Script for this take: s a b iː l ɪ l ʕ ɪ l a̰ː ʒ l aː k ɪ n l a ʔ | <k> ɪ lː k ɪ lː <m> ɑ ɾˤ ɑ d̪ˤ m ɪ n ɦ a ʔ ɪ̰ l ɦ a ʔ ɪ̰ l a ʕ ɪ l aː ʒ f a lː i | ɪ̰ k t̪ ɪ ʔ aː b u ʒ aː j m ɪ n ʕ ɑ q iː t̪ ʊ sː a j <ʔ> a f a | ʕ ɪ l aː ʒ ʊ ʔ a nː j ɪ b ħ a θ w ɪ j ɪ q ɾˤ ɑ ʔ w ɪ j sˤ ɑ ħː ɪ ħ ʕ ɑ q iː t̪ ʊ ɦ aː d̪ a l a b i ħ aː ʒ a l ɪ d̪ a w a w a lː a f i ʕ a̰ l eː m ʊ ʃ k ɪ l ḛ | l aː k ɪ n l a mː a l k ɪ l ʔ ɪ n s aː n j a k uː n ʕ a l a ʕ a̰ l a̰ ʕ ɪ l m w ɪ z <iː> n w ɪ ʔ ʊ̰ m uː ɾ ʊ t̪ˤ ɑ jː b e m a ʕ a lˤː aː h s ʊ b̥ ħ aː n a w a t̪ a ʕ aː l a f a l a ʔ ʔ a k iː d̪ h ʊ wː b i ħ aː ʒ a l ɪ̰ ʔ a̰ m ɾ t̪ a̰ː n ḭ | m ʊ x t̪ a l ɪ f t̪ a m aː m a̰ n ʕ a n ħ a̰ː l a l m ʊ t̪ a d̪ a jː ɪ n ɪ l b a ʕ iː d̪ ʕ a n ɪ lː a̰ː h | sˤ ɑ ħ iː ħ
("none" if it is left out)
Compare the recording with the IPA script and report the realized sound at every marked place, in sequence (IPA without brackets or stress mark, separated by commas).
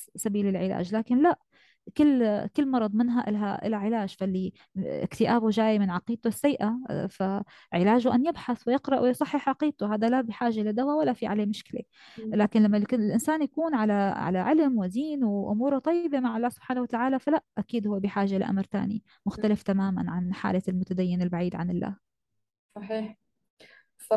k, m, ʔ, iː